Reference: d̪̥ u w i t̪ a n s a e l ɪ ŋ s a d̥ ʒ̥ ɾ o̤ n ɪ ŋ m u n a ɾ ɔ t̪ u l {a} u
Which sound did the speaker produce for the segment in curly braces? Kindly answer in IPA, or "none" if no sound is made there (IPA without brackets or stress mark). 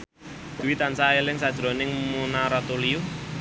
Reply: i